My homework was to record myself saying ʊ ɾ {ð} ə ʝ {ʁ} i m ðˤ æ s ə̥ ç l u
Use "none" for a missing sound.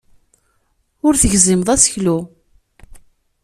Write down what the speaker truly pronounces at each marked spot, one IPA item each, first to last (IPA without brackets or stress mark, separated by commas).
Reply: θ, z